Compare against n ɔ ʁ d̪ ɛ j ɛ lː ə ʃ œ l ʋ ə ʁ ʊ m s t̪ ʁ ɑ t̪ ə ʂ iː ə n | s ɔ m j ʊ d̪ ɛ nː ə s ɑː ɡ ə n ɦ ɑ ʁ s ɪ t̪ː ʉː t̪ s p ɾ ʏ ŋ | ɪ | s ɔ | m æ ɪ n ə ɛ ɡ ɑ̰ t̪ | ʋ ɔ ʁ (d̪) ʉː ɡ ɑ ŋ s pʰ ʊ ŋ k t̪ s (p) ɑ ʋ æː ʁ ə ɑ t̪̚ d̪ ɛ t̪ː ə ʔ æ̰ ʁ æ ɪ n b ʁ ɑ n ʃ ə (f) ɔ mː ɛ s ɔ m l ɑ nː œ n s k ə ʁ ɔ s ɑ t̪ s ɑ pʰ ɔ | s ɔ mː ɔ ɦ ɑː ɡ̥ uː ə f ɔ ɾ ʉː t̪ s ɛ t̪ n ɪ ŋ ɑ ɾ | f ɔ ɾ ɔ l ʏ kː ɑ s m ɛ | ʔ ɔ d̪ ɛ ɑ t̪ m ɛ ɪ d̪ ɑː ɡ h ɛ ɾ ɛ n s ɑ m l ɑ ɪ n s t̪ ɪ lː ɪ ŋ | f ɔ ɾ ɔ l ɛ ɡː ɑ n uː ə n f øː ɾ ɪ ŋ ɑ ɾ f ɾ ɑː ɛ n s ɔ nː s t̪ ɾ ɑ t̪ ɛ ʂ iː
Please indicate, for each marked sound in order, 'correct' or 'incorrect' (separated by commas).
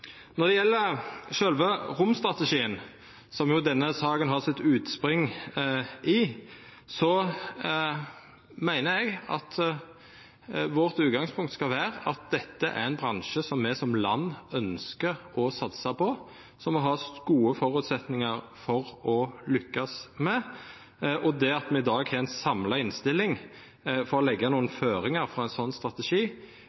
incorrect, incorrect, incorrect